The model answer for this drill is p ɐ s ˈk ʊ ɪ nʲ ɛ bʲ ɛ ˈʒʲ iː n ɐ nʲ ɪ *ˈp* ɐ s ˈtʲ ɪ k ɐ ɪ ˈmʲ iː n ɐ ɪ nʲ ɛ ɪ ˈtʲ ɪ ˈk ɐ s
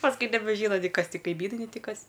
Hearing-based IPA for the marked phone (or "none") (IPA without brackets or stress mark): k